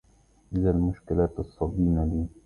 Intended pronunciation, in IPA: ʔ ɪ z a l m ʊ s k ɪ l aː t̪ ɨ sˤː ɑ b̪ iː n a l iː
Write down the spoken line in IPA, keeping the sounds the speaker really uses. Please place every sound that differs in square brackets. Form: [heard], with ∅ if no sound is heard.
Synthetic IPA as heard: ʔ ɪ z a l m ʊ [ʃ] k ɪ l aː t̪ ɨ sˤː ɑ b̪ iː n a l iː